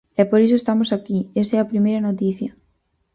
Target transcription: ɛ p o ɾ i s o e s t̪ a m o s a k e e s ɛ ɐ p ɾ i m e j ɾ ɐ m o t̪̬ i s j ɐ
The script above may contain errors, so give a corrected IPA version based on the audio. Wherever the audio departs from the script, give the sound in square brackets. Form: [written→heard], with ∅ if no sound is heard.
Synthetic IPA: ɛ p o ɾ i s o e s t̪ a m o s a k [e→i] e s ɛ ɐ p ɾ i m e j ɾ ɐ [m→n] o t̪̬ i [s→θ] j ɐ